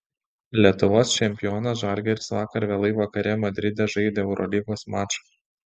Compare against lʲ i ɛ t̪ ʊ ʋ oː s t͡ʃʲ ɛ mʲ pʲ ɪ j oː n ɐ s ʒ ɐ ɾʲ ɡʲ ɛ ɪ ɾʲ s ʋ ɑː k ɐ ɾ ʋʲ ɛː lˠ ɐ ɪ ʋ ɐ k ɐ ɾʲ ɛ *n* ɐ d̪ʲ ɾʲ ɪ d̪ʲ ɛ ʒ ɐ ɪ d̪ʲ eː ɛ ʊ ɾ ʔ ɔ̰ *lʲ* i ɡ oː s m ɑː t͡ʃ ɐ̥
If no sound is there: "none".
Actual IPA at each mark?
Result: m, lʲ

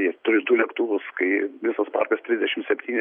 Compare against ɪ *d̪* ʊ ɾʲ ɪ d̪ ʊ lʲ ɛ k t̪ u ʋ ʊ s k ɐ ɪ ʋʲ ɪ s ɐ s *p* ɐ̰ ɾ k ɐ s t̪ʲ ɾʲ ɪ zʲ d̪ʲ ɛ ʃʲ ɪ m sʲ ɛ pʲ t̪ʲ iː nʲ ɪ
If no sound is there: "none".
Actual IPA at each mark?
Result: t̪, p

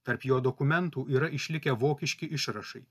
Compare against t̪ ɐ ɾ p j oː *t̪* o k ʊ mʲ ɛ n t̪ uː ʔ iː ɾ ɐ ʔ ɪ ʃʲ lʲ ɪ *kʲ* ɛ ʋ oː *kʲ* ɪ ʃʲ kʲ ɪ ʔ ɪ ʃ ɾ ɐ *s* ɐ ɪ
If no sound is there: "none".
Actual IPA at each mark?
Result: d̪, kʲ, kʲ, ʃ

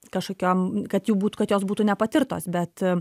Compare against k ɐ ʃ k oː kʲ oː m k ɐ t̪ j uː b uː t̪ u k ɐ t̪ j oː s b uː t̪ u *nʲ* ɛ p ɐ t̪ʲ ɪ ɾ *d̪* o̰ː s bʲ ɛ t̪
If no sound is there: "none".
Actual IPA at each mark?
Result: nʲ, t̪

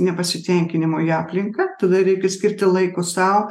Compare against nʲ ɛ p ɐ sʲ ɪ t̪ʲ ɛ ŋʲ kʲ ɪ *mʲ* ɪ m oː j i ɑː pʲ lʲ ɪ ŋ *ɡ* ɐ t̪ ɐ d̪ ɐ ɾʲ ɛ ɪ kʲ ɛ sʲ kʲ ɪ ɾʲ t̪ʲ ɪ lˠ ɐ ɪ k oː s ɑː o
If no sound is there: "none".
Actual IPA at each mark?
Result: nʲ, k

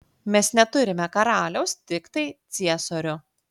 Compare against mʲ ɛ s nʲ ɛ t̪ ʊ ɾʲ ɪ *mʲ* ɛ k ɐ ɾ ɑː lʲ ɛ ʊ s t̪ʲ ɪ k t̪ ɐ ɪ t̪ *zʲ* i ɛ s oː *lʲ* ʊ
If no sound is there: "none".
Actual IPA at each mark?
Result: mʲ, sʲ, ɾʲ

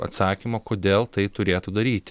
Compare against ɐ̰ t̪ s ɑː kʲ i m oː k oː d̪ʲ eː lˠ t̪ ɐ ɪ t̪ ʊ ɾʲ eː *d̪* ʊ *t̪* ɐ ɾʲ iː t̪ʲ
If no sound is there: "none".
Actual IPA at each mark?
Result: t̪, d̪

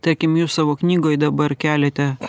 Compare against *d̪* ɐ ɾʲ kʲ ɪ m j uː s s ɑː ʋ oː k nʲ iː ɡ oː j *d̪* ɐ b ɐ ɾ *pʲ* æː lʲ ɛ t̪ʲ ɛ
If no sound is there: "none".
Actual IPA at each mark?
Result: t̪, d̪, kʲ

